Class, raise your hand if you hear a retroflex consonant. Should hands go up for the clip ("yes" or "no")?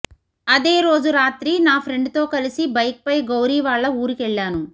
yes